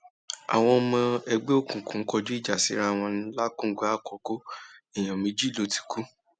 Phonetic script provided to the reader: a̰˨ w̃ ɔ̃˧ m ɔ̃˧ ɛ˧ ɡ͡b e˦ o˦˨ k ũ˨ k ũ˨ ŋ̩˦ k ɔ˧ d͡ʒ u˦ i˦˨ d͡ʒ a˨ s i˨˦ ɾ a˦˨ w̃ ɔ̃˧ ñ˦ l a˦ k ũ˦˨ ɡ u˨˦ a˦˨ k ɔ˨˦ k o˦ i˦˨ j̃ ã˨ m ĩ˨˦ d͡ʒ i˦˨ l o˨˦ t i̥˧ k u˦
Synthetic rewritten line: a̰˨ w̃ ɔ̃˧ m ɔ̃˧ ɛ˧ ɡ͡b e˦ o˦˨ k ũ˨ k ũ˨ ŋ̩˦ k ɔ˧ d͡ʒ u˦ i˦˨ d͡ʒ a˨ s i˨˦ ɾ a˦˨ w̃ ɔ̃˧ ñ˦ l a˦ k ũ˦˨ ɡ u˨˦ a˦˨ k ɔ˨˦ k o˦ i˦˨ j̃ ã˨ m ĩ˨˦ d͡ʒ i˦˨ l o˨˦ t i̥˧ k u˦